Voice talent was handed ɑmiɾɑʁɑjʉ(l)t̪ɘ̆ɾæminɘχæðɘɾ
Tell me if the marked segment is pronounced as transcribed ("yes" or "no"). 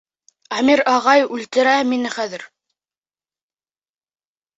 yes